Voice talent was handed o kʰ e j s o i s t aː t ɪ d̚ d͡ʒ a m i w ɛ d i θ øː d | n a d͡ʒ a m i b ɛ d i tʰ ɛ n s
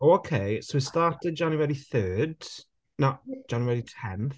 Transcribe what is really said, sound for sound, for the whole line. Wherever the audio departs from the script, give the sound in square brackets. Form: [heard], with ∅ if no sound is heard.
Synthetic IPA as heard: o kʰ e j s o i s t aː t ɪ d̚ d͡ʒ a [n] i w ɛ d i θ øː d | n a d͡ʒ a [n] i [w] ɛ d i tʰ ɛ n [θ]